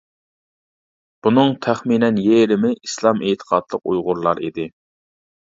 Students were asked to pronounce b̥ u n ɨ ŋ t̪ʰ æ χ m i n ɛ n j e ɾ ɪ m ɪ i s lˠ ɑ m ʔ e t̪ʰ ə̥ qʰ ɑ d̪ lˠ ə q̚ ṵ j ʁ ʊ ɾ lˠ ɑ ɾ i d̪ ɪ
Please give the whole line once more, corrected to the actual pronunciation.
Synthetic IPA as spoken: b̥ u n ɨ ŋ t̪ʰ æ χ m i n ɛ n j e ɾ ɪ m ɪ i s lˠ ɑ m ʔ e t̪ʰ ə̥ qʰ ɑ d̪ lˠ ə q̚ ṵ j ʁ ʊ ɾ lˠ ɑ ɾ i d̪ ɪ